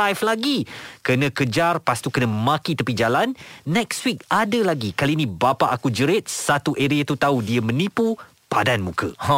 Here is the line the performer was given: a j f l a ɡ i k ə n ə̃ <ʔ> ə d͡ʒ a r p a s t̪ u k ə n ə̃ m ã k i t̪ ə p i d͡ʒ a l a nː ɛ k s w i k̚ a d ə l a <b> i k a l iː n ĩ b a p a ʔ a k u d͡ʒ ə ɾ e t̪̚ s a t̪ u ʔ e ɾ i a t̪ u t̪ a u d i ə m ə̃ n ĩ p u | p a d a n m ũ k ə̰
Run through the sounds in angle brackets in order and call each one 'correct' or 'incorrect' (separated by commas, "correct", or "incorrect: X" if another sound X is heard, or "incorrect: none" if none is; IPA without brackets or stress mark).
incorrect: k, incorrect: ɡ